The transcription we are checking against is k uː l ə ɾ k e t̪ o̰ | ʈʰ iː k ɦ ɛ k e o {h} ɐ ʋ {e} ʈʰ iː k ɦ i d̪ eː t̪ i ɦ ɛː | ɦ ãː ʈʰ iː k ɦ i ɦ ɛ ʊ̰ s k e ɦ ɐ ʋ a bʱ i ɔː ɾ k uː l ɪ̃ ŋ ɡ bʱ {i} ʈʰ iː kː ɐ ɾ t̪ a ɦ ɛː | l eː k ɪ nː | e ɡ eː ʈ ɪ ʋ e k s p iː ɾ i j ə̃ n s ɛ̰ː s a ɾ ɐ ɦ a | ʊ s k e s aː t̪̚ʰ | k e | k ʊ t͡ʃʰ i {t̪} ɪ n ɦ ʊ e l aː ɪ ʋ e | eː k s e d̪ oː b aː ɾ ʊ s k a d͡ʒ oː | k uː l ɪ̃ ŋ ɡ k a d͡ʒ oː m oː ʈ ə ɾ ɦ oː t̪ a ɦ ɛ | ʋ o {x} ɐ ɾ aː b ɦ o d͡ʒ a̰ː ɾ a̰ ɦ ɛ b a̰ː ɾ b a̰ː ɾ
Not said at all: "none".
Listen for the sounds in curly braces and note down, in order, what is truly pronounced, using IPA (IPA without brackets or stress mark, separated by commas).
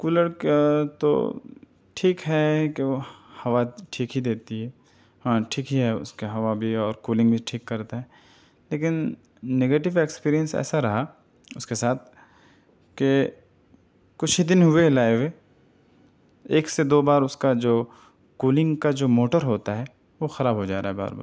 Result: h, a, i, d̪, x